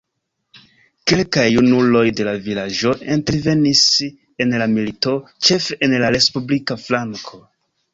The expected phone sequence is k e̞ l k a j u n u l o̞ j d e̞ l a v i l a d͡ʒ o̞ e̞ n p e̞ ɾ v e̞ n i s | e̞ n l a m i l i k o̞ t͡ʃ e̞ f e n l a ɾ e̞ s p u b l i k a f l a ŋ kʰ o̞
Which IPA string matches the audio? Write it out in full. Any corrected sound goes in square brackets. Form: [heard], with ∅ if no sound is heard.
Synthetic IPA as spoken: k e̞ l k a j u n u l o̞ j d e̞ l a v i l a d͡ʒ o̞ e̞ n [t] e̞ ɾ v e̞ n i s | e̞ n l a m i l i [t] o̞ t͡ʃ e̞ f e n l a ɾ e̞ s p u b l i k a f l a ŋ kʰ o̞